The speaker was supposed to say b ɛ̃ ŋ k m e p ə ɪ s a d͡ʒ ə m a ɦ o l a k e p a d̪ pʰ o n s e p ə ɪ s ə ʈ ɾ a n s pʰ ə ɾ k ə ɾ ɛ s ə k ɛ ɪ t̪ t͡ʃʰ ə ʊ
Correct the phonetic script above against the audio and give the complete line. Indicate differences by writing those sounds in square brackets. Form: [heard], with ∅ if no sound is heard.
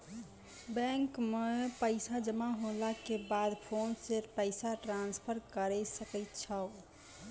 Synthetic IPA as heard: b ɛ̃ ŋ k m e p ə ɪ s a d͡ʒ ə m a ɦ o l a k e [b] a d̪ pʰ o n s e p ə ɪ s [a] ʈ ɾ a n s pʰ ə ɾ k ə ɾ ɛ s ə k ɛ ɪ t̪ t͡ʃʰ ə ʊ